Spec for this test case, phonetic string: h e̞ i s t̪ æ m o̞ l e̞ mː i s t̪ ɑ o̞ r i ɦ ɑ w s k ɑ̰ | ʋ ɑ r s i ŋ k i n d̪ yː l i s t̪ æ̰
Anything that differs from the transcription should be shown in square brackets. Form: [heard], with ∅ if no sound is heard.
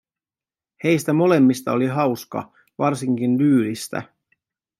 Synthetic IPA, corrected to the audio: h e̞ [j] s t̪ æ m o̞ l e̞ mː i s t̪ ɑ o̞ [l] i ɦ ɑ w s k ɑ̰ | ʋ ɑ r s i ŋ k i n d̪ yː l i s t̪ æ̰